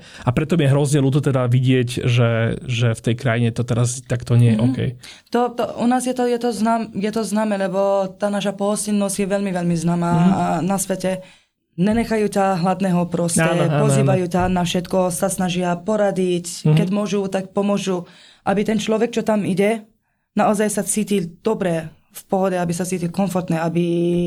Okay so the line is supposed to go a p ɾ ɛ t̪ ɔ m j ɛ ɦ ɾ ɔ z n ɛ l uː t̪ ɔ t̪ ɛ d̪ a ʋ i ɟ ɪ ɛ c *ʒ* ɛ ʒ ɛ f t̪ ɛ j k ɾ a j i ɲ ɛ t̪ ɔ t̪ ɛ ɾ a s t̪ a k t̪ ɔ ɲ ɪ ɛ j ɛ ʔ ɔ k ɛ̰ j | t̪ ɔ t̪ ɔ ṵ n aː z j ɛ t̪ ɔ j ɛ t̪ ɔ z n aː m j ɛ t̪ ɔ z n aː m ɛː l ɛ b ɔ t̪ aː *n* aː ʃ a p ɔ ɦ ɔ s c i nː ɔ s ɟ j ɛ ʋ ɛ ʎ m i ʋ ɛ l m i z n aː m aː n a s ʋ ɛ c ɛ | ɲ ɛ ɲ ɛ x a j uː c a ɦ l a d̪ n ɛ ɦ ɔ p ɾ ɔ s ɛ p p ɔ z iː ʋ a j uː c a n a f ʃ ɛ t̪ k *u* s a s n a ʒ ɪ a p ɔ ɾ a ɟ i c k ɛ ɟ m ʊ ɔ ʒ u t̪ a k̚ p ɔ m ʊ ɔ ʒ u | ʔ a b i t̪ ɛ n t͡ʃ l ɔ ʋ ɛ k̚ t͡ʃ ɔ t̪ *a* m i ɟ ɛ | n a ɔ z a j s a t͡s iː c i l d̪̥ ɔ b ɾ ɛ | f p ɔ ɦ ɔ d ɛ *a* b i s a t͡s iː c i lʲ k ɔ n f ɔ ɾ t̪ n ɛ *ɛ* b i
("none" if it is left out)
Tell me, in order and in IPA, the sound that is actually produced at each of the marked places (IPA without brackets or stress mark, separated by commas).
ʒ, n, ɔ, a, a, a